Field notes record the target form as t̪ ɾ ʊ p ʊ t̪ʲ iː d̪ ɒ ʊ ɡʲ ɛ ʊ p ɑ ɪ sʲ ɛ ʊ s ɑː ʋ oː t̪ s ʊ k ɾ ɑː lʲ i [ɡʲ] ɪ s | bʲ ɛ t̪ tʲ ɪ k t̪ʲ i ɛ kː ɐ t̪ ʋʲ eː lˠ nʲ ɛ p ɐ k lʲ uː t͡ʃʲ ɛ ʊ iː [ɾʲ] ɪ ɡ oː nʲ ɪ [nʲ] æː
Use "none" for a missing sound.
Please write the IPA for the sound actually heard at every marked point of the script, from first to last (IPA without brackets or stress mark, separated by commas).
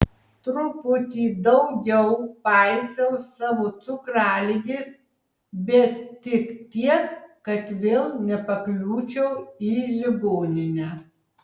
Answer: ɡʲ, lʲ, nʲ